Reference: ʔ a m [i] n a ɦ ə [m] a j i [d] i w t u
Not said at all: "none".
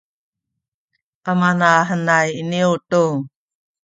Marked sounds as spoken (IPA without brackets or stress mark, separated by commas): a, n, n